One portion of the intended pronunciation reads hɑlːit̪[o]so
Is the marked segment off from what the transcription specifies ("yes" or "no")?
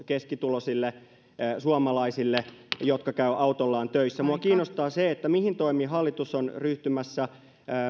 yes